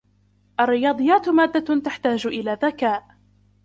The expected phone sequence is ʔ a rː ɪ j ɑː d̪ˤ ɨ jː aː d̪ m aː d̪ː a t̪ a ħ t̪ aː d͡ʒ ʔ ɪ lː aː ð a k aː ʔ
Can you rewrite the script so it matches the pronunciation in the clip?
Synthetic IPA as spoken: ʔ a rː ɪ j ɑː d̪ˤ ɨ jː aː t̪ m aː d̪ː a t̪ a ħ t̪ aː d͡ʒ ʔ ɪ l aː ð a k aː ʔ